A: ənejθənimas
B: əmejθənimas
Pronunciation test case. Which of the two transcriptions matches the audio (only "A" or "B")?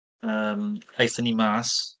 B